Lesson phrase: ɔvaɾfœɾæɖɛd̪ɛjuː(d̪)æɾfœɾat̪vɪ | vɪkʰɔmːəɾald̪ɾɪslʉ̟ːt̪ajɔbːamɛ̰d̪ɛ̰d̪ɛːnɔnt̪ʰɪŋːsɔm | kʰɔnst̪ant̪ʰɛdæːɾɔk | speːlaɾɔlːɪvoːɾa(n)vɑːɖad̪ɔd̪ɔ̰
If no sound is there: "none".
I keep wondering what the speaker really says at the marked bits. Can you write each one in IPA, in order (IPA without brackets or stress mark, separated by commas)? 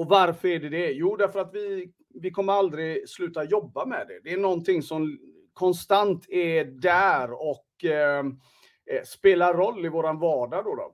d̪, n